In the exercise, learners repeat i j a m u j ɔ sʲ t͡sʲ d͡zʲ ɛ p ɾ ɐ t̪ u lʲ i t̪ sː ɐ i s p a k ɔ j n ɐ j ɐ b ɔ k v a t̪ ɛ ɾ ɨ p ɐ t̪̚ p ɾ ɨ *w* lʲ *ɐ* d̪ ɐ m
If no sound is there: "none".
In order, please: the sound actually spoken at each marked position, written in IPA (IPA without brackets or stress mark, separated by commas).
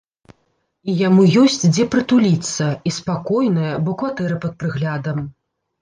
ɣ, a